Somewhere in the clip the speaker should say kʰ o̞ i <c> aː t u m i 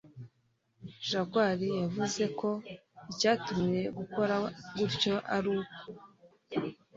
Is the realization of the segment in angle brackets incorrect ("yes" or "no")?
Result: no